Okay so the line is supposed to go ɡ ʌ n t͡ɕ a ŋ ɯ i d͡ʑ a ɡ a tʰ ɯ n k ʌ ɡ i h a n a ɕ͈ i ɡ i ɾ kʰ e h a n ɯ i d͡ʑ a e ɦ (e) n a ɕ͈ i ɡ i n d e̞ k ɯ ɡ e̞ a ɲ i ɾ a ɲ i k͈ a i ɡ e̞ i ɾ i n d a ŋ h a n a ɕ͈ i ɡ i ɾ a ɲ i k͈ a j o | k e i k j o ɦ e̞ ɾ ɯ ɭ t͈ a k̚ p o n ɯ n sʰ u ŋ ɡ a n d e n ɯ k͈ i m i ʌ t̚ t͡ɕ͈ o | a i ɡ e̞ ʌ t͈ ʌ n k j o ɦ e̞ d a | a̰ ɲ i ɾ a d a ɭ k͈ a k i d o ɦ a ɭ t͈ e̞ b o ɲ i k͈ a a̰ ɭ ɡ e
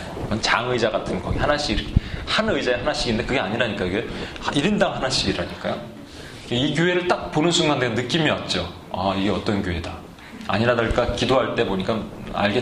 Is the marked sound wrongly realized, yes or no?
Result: yes